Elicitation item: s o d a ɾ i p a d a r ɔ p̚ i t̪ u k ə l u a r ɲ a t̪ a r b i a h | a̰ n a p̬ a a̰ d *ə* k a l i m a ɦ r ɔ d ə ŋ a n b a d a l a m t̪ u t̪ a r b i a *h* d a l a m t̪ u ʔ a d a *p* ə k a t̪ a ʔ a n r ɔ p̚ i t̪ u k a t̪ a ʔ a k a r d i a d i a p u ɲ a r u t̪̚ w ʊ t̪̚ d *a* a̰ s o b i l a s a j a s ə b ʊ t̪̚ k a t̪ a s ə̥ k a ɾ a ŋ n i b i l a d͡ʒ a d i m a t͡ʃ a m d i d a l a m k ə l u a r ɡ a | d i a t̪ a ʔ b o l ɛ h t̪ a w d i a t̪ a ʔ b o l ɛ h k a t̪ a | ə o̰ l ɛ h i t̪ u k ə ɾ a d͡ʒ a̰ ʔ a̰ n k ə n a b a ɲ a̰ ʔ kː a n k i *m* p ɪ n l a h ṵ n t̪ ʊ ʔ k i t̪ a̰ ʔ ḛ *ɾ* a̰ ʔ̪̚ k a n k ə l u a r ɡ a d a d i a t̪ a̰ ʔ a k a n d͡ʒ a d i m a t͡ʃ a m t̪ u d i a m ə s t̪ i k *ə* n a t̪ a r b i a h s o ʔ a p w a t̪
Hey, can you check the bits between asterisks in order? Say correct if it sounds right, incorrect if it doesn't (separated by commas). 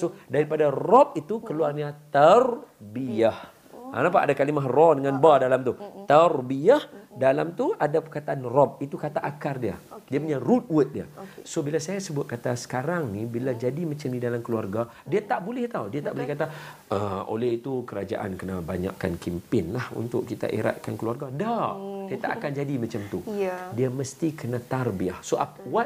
incorrect, correct, correct, incorrect, correct, correct, correct